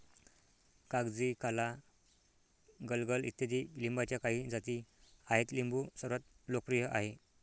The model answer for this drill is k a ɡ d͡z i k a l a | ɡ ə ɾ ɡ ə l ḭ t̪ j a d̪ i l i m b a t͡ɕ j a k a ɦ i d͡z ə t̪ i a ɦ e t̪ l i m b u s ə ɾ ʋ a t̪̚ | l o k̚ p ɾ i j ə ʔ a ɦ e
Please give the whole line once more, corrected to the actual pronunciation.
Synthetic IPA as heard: k a ɡ d͡z i k a l a | ɡ ə l ɡ ə l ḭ t̪ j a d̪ i l i m b a t͡ɕ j a k a ɦ i d͡z a t̪ i a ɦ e t̪ l i m b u s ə ɾ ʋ a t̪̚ | l o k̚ p ɾ i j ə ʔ a ɦ e